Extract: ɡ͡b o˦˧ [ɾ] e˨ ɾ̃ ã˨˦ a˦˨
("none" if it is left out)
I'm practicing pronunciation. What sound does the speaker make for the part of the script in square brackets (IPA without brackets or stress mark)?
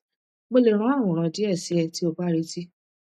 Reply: l